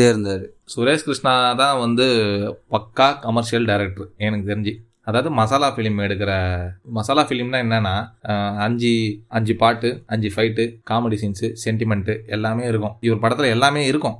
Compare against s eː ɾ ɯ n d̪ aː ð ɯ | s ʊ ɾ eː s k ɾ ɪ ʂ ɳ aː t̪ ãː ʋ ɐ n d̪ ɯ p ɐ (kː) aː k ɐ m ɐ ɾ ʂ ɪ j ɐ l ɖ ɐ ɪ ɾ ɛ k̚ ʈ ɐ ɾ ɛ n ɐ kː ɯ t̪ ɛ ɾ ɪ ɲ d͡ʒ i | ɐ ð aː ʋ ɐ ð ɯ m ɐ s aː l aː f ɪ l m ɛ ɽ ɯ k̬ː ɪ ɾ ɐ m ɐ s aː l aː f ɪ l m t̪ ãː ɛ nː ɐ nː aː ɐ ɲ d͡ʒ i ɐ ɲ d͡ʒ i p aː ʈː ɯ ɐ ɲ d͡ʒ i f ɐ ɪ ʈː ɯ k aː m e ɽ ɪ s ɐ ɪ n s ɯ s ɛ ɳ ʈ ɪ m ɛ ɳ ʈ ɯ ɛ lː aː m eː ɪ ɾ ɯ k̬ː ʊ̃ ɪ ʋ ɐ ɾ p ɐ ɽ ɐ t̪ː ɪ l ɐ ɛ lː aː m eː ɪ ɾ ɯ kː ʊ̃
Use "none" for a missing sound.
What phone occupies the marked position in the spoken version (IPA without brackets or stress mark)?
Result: kː